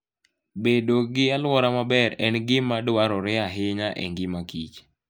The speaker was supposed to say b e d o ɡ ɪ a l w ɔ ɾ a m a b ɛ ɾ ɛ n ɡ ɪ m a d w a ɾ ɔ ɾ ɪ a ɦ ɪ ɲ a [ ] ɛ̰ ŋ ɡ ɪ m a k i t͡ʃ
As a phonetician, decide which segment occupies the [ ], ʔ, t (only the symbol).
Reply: ʔ